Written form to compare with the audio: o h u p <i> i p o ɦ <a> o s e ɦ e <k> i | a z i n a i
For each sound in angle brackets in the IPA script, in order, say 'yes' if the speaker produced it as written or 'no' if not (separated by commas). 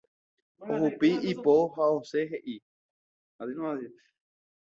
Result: yes, yes, no